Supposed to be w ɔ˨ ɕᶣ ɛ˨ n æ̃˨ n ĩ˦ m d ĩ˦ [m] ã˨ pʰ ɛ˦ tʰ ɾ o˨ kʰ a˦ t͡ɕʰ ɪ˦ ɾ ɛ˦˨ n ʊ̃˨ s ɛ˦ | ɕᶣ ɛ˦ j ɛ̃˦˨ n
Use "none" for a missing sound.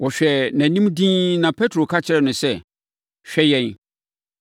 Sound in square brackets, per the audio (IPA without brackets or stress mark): n